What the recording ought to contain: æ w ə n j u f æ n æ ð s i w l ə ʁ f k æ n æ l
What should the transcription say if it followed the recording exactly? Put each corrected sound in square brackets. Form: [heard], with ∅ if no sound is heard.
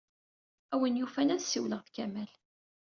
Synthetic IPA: æ w ə n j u f æ n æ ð s i w l ə ʁ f k æ [m] æ l

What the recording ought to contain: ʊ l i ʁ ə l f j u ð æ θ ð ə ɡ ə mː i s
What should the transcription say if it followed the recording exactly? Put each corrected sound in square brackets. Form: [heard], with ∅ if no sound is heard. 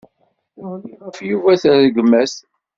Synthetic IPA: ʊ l i ʁ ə [∅] f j u [v] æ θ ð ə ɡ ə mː [æ] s

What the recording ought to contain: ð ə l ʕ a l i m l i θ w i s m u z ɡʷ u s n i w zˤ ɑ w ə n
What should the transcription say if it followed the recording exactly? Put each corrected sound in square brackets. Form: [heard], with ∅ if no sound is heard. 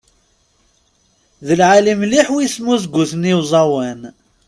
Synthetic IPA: ð ə l ʕ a l i m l i [ħ] w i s m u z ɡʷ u [θ] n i w zˤ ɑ w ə n

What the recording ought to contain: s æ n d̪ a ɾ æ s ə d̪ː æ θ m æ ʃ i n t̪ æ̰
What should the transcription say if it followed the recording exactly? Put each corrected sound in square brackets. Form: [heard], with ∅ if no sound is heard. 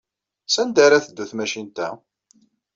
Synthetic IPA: s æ n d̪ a ɾ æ [θ] ə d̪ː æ θ m æ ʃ i n t̪ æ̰

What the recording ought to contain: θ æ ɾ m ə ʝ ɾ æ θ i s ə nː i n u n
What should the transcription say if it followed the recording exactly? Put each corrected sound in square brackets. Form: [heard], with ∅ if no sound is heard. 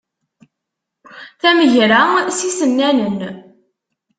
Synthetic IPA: θ æ [∅] m ə ʝ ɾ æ [s] i s ə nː [æ] n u n

